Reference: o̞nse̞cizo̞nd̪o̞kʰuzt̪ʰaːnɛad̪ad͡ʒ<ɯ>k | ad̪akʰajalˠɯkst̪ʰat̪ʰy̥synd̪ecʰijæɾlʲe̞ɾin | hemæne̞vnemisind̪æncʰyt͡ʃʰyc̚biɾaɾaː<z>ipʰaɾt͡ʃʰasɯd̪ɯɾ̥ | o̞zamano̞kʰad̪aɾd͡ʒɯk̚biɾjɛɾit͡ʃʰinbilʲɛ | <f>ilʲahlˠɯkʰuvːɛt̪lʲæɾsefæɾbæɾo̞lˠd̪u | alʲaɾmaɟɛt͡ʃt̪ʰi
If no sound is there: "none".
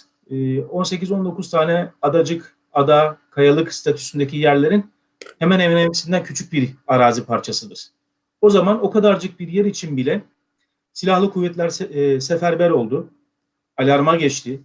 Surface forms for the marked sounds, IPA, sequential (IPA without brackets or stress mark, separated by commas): ɯ, z, s